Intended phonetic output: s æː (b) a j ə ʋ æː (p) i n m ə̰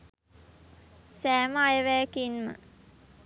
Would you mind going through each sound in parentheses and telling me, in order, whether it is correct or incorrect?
incorrect, incorrect

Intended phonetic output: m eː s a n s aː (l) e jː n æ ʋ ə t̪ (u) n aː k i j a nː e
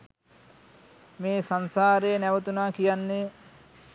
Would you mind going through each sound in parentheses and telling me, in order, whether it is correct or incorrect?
incorrect, correct

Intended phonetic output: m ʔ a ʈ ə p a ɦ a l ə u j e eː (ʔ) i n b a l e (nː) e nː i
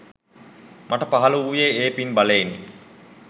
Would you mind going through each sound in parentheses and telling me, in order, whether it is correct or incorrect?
incorrect, incorrect

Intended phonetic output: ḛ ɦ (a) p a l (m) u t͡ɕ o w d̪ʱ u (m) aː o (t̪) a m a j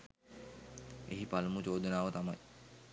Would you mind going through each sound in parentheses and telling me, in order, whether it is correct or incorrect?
incorrect, correct, incorrect, correct

